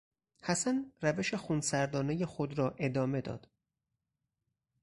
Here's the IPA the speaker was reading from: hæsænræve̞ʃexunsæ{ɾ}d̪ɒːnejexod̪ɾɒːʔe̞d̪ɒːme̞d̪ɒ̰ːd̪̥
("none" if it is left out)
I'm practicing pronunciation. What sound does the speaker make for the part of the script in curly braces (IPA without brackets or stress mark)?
ɾ